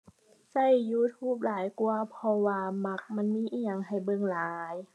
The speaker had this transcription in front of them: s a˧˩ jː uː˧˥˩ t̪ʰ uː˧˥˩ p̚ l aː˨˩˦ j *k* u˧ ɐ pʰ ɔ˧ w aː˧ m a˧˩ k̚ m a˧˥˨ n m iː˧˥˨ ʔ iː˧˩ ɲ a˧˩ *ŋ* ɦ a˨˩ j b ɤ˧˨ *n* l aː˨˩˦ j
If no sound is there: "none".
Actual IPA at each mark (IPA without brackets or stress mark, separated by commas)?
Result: k, ŋ, ŋ